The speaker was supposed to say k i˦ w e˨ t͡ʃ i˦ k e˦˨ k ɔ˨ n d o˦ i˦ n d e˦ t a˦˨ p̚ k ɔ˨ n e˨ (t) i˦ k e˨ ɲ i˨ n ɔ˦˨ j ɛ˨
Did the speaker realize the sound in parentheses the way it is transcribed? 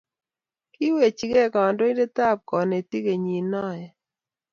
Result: yes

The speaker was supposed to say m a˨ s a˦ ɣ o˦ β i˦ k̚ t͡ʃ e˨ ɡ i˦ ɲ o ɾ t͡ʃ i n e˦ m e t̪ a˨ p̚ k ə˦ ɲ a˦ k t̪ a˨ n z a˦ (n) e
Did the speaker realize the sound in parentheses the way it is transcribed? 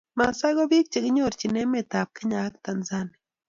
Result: yes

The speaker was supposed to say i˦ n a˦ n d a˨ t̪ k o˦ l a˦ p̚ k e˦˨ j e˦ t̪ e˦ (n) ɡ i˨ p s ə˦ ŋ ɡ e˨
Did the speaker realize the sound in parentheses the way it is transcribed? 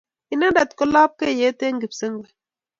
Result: no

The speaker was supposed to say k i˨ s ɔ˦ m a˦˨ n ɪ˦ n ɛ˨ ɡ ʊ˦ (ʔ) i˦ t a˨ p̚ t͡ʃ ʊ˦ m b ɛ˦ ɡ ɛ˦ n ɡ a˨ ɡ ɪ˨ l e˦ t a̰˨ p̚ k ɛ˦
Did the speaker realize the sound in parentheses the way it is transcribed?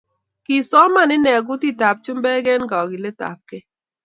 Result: no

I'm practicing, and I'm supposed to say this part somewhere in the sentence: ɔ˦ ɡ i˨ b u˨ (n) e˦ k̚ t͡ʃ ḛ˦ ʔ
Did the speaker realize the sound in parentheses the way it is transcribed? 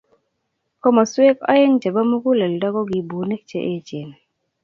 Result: yes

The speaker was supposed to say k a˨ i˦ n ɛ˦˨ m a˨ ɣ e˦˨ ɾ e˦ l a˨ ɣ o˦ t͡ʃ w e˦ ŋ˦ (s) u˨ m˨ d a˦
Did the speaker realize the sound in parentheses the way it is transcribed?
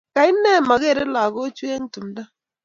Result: no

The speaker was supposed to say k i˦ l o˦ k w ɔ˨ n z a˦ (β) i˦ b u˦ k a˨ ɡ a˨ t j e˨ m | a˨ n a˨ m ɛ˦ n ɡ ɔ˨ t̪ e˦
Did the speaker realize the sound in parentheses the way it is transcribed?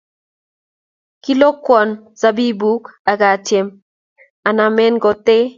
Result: no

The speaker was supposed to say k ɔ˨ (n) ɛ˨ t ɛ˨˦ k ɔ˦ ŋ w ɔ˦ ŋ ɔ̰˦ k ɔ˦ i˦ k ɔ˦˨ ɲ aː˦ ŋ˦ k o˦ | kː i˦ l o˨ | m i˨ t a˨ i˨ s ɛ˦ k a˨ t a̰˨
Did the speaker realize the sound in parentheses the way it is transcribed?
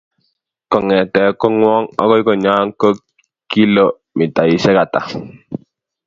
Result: no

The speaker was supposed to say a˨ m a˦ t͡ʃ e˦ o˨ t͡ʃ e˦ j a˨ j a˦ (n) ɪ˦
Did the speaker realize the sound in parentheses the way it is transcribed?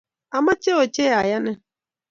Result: yes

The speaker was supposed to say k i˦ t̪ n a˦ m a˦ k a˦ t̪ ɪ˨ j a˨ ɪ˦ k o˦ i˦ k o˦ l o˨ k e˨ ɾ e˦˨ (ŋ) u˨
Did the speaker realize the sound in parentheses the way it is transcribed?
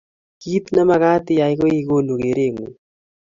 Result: yes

